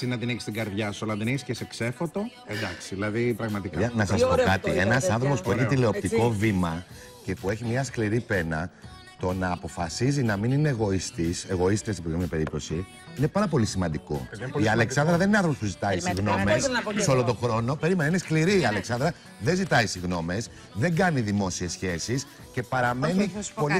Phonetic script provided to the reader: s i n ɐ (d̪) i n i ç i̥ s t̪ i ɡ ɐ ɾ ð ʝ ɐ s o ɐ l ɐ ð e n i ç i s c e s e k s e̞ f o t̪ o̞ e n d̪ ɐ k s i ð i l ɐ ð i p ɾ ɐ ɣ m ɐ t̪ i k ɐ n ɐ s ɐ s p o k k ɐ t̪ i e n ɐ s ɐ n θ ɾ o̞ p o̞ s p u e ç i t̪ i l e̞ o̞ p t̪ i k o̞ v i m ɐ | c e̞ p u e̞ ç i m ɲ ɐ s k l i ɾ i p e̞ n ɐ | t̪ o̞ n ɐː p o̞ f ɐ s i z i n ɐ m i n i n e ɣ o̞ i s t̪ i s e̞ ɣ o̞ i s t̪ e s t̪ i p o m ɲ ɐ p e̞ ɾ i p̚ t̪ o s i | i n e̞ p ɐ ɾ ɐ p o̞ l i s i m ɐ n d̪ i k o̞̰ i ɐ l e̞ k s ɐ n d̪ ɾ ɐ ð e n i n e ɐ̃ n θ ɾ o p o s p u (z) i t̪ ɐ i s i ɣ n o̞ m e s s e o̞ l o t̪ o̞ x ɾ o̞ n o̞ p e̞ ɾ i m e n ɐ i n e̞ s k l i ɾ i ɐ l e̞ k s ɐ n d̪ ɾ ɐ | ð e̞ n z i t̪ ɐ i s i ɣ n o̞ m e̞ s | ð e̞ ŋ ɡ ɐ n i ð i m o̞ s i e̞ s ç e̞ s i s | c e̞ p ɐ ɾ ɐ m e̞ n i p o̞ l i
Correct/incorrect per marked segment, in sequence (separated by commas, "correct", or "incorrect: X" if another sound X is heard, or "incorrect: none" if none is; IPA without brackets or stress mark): incorrect: t̪, correct